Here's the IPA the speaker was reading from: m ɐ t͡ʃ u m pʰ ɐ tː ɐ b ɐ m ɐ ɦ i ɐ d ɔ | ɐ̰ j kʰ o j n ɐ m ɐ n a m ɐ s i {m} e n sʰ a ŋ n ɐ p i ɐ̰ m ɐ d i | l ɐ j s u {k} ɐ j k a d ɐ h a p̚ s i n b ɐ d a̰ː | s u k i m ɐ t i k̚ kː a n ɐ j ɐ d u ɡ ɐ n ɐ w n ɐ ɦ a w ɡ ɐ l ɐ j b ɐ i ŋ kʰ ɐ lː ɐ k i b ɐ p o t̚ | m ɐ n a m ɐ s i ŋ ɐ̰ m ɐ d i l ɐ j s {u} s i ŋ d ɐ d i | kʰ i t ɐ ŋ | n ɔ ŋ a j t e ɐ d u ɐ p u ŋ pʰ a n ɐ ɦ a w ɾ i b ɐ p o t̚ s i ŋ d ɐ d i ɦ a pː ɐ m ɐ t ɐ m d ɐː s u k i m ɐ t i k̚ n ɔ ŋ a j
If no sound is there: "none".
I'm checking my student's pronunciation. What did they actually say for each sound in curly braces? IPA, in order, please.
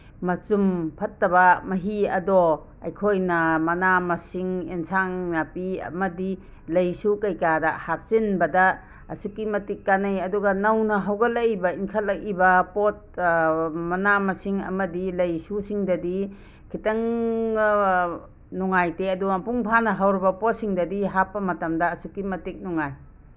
ŋ, k, u

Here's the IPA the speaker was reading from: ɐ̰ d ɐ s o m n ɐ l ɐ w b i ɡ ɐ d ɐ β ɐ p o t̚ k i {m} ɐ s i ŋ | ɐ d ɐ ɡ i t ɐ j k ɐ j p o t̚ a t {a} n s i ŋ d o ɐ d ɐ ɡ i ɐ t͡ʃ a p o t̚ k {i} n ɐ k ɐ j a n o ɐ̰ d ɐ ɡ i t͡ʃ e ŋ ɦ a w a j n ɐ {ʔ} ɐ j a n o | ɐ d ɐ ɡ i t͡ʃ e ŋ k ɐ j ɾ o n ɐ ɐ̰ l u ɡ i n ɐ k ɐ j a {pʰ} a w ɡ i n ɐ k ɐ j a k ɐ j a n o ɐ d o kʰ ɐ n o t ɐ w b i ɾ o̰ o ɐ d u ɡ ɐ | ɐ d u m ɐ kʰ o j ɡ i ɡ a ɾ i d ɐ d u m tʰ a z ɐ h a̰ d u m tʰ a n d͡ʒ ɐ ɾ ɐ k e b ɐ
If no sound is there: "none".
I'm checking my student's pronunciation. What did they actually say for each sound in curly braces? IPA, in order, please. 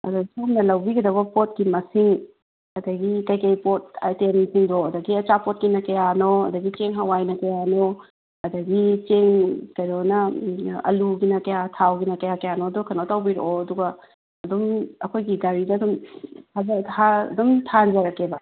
m, e, i, k, tʰ

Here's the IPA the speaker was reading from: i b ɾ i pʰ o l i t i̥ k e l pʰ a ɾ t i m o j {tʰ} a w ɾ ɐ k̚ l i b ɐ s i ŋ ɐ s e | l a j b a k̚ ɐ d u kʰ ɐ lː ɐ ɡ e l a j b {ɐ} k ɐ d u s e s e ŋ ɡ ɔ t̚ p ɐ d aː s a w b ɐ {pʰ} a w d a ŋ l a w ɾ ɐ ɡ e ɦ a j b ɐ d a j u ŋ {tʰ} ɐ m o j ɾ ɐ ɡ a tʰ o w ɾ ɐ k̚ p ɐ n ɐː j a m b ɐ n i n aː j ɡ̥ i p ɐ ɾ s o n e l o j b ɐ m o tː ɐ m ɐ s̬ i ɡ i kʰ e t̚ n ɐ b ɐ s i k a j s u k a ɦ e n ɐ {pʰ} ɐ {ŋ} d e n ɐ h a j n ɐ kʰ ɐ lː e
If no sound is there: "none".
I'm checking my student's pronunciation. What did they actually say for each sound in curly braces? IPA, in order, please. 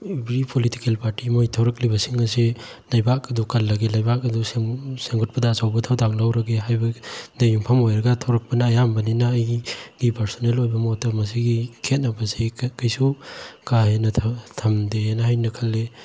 tʰ, a, tʰ, pʰ, tʰ, m

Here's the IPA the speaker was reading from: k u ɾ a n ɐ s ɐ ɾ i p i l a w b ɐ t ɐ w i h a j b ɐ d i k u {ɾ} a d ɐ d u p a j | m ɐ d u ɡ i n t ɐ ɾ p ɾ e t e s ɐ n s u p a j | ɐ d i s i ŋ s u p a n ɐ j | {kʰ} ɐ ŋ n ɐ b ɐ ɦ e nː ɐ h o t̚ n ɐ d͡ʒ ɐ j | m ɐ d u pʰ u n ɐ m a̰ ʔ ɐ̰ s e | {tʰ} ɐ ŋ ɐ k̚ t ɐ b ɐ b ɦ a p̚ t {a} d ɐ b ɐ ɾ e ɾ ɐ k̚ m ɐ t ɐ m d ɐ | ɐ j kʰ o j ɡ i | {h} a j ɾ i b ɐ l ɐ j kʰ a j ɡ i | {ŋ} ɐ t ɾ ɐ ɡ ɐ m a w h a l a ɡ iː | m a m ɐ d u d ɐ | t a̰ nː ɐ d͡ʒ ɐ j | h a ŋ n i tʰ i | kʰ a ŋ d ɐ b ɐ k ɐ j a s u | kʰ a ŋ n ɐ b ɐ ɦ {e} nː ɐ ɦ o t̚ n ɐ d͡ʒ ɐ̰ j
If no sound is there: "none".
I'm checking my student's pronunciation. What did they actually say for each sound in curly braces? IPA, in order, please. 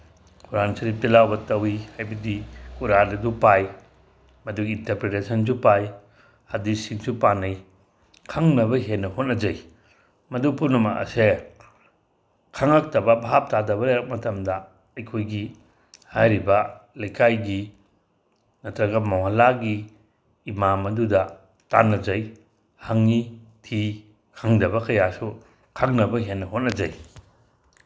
ɾ, kʰ, kʰ, a, h, n, e

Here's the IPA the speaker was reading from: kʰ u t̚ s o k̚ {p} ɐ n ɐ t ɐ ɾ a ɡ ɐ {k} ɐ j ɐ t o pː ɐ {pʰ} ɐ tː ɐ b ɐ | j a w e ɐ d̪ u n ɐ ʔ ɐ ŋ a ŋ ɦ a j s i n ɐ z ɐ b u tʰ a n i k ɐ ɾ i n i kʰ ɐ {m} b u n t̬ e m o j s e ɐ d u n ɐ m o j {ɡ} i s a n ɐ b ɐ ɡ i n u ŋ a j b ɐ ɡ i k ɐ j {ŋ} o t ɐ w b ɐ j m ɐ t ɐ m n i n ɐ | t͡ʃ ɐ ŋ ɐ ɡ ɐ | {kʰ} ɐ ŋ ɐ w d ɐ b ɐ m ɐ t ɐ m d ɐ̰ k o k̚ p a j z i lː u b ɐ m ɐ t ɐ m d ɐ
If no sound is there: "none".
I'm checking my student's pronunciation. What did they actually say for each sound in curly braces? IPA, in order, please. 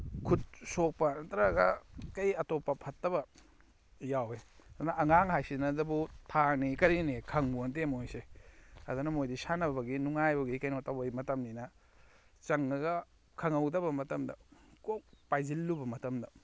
p, k, pʰ, ŋ, d, n, kʰ

